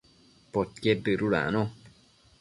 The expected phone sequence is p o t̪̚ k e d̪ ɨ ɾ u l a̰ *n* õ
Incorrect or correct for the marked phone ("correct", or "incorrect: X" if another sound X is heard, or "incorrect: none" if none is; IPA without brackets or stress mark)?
correct